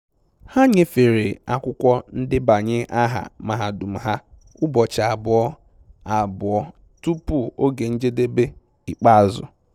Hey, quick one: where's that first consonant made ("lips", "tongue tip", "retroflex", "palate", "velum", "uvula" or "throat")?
throat